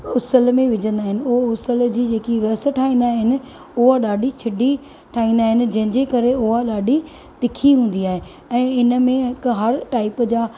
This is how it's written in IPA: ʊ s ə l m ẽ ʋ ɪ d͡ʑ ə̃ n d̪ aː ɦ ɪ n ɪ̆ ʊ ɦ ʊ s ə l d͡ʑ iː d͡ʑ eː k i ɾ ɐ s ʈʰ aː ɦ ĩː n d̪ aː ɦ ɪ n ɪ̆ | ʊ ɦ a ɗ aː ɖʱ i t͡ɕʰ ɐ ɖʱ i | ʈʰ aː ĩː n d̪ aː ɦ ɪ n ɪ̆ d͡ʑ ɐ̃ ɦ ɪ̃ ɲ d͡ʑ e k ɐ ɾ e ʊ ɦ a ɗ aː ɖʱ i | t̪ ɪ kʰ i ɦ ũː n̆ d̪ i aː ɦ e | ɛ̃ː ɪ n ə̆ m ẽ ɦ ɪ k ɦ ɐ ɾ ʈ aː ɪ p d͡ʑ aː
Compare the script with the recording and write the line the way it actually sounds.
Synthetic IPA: ʊ s ə l m ẽ ʋ ɪ d͡ʑ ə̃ n d̪ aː ɦ ɪ n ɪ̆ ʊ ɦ ʊ s ə l d͡ʑ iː d͡ʑ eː k i ɾ ɐ s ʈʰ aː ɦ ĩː n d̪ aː ɦ ɪ n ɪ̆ | ʊ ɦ a ɗ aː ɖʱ i t͡ɕʰ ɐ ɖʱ i | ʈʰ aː ĩː n d̪ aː ɦ ɪ n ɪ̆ d͡ʑ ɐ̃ ɦ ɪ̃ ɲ d͡ʑ e k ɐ ɾ e ʊ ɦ a ɗ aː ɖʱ i | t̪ ɪ kʰ i ɦ ũː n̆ d̪ i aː ɦ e | ɛ̃ː ɪ n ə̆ m ẽ ɦ ɪ k ɦ ɐ ɾ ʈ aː ɪ p d͡ʑ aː